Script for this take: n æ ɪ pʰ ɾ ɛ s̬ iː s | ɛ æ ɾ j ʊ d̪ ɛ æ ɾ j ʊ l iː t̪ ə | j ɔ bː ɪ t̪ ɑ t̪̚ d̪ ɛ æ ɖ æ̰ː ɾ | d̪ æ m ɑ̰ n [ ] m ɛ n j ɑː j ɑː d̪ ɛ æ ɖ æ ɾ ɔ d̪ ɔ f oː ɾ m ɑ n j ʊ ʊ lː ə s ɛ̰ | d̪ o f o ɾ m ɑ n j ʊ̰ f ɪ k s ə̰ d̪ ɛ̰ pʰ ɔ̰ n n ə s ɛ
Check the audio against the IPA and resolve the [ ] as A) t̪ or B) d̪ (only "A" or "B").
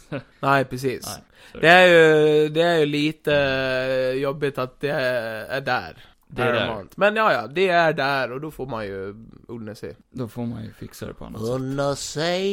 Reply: A